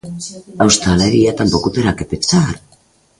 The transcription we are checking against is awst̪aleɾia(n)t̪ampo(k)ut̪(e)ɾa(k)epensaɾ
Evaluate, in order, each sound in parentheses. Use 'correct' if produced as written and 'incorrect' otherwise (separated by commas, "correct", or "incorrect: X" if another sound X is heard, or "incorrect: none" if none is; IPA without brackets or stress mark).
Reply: incorrect: none, correct, correct, correct